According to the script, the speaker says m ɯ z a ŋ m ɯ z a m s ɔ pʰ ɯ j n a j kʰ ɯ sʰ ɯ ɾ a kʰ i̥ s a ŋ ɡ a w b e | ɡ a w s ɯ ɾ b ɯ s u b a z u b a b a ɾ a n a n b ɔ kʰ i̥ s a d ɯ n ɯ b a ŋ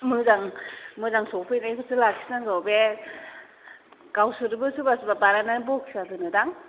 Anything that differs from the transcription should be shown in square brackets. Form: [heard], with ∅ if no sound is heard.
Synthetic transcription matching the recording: m ɯ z a ŋ m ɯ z a [ŋ] s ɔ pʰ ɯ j n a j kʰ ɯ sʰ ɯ [l] a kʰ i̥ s a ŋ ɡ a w b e | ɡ a w s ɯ ɾ b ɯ s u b a [s] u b a b a ɾ a n a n b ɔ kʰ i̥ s a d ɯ n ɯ [d] a ŋ